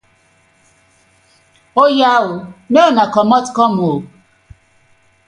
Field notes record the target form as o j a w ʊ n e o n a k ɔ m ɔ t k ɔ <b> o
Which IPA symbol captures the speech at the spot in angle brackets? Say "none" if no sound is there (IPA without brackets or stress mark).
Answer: m